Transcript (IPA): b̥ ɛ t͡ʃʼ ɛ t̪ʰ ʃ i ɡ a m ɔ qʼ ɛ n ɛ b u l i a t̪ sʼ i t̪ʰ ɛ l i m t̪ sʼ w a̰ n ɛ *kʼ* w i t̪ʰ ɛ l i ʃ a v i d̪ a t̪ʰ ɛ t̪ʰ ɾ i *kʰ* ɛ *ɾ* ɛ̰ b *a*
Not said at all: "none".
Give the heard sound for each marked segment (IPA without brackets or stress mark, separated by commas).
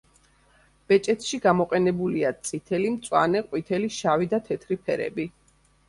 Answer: qʼ, pʰ, ɾ, i